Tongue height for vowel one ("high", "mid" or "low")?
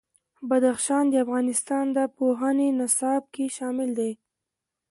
low